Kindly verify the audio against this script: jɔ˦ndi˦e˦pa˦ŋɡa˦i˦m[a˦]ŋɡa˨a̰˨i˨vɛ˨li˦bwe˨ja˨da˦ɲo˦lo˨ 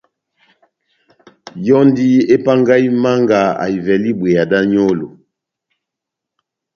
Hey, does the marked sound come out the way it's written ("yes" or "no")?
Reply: yes